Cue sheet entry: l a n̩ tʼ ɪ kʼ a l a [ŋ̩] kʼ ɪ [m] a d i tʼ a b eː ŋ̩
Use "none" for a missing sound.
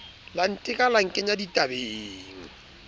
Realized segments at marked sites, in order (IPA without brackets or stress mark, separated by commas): ŋ̩, ɲ